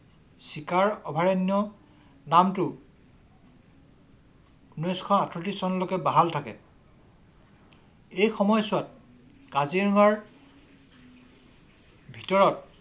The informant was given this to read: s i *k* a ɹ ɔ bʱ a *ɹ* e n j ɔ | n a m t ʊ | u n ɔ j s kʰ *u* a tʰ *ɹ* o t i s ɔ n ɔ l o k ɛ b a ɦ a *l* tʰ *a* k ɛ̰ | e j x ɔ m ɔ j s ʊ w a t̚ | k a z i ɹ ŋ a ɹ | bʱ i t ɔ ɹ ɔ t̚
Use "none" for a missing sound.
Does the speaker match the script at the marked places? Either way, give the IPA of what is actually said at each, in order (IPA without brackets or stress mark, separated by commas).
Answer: k, ɹ, ɔ, ɹ, l, a